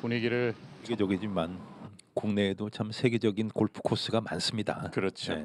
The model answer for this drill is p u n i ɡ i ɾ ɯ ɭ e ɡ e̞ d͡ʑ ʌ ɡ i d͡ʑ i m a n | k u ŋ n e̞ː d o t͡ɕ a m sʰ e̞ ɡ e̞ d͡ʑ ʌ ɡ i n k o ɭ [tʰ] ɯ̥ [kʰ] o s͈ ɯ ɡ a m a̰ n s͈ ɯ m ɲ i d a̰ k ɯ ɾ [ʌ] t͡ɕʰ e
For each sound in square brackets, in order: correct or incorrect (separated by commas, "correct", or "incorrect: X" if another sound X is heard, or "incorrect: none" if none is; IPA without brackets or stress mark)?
incorrect: pʰ, correct, correct